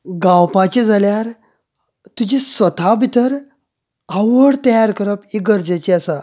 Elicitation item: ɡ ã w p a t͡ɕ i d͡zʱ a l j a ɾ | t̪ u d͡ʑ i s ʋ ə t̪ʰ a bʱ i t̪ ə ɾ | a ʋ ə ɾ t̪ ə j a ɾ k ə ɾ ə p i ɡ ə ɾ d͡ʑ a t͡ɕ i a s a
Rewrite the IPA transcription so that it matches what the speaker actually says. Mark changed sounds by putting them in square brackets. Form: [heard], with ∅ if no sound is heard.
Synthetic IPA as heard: ɡ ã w p a t͡ɕ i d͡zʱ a l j a ɾ | t̪ u d͡ʑ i s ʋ ə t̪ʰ a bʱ i t̪ ə ɾ | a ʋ ə [ɽ] t̪ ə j a ɾ k ə ɾ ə p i ɡ ə ɾ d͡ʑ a t͡ɕ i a s a